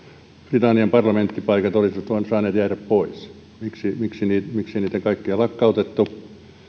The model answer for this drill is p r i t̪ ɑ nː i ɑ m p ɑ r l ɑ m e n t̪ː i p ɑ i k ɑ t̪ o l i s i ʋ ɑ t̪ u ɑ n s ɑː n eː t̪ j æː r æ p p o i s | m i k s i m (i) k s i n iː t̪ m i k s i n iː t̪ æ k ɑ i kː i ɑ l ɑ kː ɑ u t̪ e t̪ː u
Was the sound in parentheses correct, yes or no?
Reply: yes